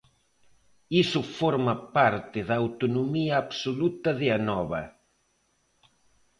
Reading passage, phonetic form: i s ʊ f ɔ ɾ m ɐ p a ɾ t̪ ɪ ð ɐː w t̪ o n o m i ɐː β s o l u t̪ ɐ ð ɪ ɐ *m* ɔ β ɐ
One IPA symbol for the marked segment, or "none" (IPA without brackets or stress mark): n